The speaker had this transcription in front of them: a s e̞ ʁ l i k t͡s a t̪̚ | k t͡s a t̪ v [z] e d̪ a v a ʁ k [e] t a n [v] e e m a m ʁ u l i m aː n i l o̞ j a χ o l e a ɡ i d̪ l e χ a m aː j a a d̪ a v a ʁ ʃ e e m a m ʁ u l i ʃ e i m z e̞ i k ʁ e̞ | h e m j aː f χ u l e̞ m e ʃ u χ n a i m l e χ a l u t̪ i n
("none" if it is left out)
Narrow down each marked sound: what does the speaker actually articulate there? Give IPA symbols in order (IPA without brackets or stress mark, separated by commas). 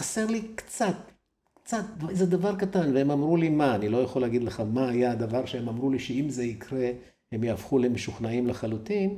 z, a, v